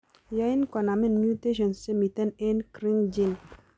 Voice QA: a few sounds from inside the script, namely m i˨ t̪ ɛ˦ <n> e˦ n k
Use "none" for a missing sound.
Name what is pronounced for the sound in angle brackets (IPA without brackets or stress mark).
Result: n